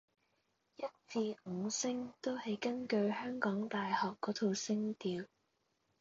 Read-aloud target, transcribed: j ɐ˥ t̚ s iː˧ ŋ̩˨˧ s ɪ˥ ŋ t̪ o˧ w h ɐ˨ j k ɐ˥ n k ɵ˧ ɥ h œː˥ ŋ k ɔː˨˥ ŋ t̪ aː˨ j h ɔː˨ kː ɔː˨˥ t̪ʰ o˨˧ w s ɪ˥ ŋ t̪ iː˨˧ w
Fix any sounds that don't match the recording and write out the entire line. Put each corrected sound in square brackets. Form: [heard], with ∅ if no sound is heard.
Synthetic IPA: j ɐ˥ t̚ [t͡s] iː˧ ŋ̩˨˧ s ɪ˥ ŋ t̪ [o˥] w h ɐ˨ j k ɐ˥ n k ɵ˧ ɥ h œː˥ ŋ k ɔː˨˥ ŋ t̪ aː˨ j h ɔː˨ kː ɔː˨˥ t̪ʰ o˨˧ w s ɪ˥ ŋ t̪ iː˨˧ w